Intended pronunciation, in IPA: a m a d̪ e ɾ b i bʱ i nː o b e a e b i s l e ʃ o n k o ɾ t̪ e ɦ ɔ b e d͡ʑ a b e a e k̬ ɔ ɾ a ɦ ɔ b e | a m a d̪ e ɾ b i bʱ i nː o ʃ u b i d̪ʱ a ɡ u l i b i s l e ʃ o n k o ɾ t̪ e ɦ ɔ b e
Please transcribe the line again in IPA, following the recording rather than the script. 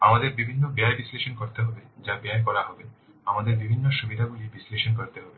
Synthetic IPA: a m a d̪ e ɾ b i bʱ i nː o b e a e b i s l e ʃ o n k o ɾ t̪ e ɦ ɔ b e d͡ʑ a b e a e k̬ ɔ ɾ a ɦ ɔ b e | a m a d̪ e ɾ b i bʱ i nː o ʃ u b i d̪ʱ a ɡ u l i b i s l e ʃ o n k o ɾ t̪ e ɦ ɔ b e